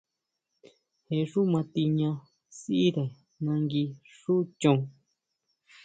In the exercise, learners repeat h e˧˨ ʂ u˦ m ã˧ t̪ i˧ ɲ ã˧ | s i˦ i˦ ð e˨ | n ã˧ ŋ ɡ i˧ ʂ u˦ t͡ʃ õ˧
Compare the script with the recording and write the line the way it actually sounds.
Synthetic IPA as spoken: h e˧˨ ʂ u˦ m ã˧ t̪ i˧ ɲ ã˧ | s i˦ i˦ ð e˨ | n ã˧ ŋ ɡ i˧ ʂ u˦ t͡ʃ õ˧

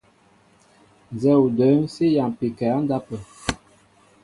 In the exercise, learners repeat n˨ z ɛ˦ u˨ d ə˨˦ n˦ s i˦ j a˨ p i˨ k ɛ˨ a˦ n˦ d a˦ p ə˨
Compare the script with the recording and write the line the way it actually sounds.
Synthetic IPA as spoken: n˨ z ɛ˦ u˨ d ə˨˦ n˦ s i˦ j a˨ p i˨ k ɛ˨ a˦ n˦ d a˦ p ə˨

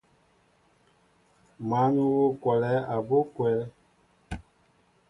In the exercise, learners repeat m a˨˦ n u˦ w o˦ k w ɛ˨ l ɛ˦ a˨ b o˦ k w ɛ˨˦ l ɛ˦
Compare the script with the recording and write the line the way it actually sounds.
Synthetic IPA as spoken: m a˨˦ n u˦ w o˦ k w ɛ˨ l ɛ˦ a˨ b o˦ k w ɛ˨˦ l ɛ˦

